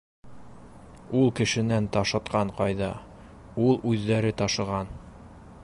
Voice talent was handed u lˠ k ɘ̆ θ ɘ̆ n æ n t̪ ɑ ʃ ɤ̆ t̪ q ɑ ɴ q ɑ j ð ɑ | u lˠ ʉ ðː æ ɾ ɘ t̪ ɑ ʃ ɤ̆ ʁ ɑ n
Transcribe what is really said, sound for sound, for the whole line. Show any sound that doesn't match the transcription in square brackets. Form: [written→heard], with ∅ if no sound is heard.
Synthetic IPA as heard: u lˠ k ɘ̆ [θ→ʃ] ɘ̆ n æ n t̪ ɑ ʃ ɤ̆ t̪ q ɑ ɴ q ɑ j ð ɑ | u lˠ ʉ ðː æ ɾ ɘ t̪ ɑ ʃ ɤ̆ ʁ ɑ n